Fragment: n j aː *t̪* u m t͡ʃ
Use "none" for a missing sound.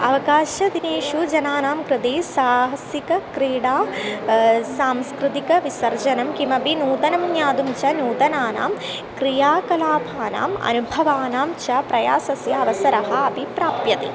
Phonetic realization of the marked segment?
d̪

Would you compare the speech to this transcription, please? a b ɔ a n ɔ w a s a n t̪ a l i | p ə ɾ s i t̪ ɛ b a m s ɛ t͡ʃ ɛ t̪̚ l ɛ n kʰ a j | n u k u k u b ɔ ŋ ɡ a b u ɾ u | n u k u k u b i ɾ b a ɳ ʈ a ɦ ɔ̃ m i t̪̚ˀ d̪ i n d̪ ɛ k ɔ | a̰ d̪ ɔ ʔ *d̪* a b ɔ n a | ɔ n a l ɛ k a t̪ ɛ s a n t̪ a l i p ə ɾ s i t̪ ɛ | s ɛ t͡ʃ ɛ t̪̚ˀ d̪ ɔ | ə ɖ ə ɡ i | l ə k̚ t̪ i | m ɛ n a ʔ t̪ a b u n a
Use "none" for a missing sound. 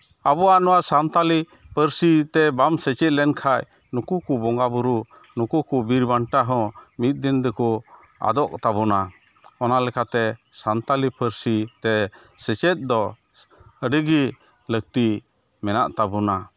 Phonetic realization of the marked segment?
t̪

